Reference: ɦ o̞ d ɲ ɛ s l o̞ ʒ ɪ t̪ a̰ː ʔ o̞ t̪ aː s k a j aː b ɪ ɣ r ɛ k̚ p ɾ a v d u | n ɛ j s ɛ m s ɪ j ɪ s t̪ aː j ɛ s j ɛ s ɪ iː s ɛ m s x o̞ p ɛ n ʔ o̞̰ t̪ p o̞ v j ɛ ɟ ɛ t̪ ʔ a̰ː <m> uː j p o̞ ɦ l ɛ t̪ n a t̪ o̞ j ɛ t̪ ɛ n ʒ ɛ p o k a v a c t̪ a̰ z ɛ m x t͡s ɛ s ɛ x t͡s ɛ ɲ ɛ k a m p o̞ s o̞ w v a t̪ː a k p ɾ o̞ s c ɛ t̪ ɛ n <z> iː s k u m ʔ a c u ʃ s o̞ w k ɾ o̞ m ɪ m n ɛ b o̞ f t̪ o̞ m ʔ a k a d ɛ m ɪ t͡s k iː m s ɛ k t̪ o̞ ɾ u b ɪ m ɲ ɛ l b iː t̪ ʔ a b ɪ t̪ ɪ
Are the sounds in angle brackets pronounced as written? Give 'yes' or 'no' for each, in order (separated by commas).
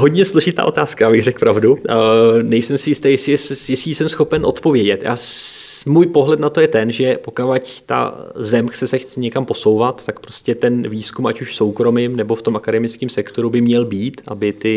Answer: yes, no